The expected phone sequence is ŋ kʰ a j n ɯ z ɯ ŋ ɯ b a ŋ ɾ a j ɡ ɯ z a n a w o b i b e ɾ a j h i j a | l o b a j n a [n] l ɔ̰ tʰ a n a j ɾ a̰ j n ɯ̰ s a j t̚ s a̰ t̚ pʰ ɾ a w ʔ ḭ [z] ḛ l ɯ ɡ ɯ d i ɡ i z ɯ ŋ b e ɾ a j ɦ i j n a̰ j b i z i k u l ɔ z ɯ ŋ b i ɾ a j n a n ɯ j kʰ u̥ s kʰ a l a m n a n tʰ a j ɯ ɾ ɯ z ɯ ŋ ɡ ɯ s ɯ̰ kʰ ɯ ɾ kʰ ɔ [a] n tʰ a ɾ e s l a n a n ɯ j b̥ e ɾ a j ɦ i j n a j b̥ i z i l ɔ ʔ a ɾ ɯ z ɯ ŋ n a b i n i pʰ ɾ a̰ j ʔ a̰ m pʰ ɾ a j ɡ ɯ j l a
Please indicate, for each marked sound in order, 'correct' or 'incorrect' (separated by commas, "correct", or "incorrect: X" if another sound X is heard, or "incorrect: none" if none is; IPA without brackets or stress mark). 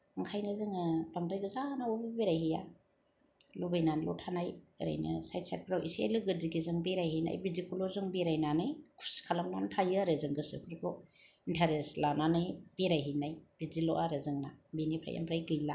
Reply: correct, incorrect: s, incorrect: i